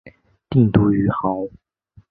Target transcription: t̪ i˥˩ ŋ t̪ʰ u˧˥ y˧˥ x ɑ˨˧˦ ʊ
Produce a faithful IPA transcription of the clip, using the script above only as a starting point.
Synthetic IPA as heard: t̪ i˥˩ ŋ t̪ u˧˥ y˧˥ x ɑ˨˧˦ ʊ